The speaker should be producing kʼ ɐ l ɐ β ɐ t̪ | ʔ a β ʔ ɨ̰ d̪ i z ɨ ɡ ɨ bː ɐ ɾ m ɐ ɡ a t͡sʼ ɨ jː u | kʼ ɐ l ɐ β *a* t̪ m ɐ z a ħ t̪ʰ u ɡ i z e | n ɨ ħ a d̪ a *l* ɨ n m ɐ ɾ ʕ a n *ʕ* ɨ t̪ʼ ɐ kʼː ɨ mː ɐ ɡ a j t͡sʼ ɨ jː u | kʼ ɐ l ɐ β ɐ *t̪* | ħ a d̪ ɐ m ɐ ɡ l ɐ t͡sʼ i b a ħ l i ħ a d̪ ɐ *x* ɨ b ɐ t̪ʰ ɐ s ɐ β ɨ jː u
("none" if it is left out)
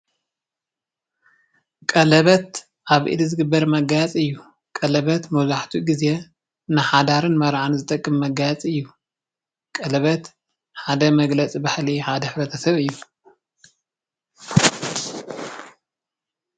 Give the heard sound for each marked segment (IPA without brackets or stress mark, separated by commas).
ɐ, ɾ, z, t̪, ħ